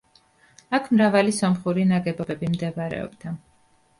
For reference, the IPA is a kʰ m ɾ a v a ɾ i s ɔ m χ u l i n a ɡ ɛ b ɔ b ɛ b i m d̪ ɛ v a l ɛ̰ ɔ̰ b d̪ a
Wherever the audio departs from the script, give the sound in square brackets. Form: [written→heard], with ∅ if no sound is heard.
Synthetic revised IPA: a kʰ m ɾ a v a [ɾ→l] i s ɔ m χ u [l→ɾ] i n a ɡ ɛ b ɔ b ɛ b i m d̪ ɛ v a [l→ɾ] ɛ̰ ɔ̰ b d̪ a